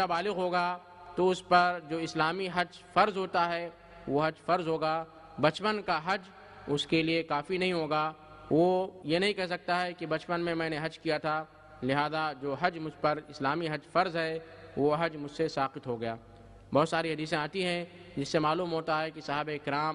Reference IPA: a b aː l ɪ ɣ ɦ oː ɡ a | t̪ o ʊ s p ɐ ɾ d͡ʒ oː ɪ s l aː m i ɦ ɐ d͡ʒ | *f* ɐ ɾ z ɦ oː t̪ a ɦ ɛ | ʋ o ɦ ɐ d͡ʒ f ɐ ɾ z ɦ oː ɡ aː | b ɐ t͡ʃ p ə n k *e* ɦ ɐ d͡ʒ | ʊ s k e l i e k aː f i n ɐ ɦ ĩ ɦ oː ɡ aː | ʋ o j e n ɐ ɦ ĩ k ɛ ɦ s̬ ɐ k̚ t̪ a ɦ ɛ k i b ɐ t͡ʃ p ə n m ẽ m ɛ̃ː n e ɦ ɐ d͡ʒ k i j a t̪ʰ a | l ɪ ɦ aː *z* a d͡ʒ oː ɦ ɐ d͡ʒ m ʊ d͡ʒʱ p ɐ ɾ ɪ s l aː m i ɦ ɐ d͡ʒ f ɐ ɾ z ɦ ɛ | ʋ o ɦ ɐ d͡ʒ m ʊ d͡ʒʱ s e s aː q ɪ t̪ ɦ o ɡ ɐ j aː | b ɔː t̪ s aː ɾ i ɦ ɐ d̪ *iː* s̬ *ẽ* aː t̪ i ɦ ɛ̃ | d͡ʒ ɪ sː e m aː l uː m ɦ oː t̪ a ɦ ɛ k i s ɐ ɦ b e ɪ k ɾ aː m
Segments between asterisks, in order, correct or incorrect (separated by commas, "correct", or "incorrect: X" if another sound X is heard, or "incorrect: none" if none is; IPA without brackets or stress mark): correct, incorrect: a, correct, correct, correct